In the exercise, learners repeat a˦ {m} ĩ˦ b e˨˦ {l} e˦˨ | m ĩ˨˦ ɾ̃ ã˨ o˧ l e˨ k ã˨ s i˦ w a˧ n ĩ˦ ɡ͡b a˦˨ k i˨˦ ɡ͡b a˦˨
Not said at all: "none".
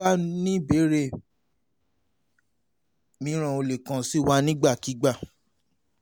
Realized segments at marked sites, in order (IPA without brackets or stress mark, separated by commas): n, ɾ